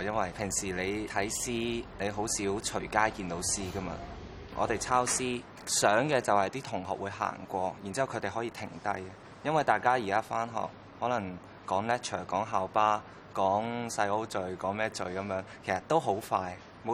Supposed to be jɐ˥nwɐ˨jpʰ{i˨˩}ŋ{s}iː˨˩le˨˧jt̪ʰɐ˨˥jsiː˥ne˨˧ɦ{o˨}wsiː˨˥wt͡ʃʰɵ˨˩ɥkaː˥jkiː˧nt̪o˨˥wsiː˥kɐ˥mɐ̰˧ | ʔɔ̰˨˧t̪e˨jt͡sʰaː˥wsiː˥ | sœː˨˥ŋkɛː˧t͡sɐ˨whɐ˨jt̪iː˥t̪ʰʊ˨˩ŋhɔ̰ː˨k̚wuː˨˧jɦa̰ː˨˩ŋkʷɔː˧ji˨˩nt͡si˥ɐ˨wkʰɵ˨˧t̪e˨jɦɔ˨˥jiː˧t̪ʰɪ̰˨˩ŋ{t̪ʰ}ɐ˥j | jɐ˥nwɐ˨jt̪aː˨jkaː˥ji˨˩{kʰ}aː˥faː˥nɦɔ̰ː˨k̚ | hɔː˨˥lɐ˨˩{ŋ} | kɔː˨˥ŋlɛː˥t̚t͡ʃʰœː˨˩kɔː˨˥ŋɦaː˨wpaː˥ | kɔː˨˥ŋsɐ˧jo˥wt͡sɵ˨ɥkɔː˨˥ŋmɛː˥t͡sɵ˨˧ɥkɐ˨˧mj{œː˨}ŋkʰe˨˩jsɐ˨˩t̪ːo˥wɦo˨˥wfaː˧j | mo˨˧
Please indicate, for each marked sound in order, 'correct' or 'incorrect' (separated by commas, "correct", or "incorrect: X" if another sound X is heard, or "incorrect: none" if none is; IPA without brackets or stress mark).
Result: incorrect: ɪ˨˩, correct, incorrect: o˨˥, incorrect: t̪, incorrect: k, correct, incorrect: œː˨˥